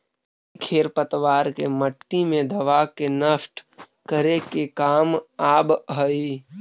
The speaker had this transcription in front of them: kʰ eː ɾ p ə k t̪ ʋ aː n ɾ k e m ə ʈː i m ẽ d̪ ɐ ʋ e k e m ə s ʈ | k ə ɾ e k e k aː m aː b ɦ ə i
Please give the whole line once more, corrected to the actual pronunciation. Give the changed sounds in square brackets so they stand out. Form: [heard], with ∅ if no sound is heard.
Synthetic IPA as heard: kʰ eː ɾ p ə [∅] t̪ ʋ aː [∅] ɾ k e m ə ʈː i m ẽ d̪ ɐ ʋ [a] k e [n] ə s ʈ | k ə ɾ e k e k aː m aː b ɦ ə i